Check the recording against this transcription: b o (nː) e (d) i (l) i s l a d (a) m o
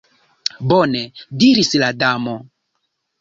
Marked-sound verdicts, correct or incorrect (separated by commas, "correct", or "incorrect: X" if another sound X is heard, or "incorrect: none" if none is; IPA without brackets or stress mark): incorrect: n, correct, incorrect: ɾ, correct